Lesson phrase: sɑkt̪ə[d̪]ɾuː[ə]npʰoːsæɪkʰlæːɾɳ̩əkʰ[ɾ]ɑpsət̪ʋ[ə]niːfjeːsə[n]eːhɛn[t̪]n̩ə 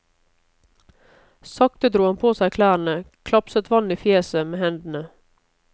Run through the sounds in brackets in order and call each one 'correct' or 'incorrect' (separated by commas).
correct, incorrect, incorrect, incorrect, incorrect, incorrect